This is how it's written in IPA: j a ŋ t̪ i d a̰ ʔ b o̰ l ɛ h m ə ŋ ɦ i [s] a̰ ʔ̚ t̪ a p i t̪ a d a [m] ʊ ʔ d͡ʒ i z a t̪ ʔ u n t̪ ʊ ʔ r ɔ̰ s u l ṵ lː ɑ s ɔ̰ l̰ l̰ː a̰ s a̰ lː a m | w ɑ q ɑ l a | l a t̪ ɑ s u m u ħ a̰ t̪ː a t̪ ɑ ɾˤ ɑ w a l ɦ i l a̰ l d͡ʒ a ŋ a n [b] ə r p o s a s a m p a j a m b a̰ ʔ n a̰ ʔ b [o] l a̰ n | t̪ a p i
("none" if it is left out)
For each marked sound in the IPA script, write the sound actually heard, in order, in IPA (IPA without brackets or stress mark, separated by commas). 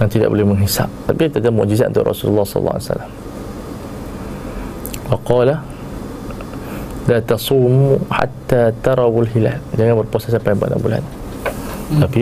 s, m, b, u